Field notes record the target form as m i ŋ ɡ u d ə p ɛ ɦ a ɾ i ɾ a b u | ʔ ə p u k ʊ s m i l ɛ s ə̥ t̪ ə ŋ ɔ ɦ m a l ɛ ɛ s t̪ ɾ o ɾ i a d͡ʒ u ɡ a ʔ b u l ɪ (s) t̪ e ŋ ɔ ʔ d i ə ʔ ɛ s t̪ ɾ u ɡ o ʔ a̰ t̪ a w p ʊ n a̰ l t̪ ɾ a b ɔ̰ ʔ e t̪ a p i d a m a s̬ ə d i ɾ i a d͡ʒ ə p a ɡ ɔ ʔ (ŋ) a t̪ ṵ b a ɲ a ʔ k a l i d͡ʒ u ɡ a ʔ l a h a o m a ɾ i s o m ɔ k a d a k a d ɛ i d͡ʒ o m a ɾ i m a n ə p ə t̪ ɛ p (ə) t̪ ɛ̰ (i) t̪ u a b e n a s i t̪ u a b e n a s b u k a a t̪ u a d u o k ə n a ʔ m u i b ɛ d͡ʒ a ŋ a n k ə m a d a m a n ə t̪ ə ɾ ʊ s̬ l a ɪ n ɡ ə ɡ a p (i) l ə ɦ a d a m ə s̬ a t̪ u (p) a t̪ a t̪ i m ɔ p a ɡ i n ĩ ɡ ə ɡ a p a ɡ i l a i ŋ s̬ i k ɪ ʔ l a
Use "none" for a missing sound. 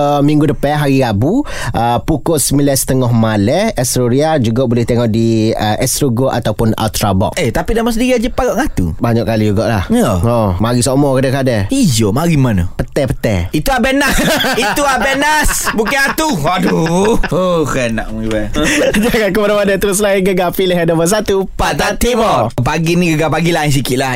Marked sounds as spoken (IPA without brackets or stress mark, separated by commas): h, ŋ, ə, i, i, p